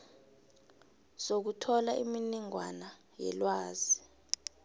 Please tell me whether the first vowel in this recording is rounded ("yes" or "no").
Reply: yes